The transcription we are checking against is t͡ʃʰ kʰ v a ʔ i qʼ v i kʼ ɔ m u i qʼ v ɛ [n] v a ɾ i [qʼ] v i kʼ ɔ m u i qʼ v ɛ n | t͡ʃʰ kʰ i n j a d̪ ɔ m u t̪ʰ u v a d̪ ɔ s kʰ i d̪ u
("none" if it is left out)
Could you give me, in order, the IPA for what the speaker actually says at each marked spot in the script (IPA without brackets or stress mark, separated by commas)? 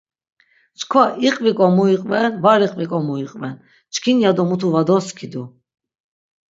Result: n, qʼ